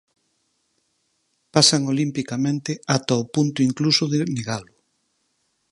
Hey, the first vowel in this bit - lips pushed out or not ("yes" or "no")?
no